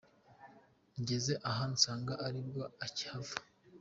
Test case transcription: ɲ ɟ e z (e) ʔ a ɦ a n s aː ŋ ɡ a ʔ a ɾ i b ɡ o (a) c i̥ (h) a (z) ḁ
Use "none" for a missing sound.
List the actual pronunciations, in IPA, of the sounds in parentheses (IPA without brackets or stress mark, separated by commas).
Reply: e, a, h, v